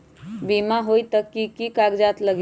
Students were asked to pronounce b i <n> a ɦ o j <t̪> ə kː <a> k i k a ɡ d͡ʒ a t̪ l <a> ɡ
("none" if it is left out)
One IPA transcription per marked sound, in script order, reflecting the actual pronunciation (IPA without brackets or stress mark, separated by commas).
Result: m, t̪, i, ə